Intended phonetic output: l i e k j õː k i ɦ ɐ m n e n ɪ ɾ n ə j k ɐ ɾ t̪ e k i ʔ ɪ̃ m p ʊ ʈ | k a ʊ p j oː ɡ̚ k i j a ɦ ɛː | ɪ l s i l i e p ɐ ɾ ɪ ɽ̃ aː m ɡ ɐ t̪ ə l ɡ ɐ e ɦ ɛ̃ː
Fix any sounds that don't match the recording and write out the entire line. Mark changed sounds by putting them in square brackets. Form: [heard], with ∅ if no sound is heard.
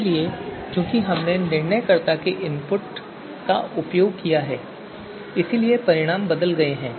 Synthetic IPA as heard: l i e k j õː k i ɦ ɐ m n e n ɪ ɾ n ə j k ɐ ɾ t̪ [a] k [e] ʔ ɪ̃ m p ʊ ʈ | k a ʊ p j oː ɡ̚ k i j a ɦ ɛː | ɪ [∅] s i l i e p ɐ ɾ ɪ ɽ̃ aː m [b] ɐ [d̪] ə l ɡ ɐ e ɦ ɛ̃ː